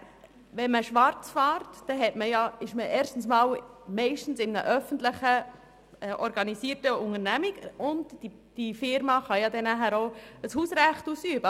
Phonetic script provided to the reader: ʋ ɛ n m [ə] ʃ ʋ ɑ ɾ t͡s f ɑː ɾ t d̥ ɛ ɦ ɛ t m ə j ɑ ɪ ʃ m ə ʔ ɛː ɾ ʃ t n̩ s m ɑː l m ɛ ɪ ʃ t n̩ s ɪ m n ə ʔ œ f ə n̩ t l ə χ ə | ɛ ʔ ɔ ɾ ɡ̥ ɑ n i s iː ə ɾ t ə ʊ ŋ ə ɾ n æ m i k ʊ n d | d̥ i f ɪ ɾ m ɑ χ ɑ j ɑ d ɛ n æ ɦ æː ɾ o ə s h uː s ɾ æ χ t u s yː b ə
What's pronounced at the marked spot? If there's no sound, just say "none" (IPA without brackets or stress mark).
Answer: ə